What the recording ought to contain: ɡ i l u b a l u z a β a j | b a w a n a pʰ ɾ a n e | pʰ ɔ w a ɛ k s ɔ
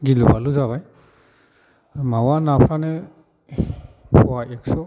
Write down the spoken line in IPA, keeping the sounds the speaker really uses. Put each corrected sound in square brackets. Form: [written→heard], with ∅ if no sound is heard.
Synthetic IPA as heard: ɡ i l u b a l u z a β a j | [b→m] a w a n a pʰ ɾ a n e | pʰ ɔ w a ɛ k s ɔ